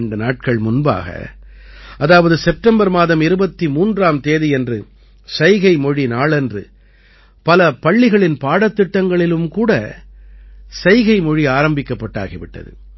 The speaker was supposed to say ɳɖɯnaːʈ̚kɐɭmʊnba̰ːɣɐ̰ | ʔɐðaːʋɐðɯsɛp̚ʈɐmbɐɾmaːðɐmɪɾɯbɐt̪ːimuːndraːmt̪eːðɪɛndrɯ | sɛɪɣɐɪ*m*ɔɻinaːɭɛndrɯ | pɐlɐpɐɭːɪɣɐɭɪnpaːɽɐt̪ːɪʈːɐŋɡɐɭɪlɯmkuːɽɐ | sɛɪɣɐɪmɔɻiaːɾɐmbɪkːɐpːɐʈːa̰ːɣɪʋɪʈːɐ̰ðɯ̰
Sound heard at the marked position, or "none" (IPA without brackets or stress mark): m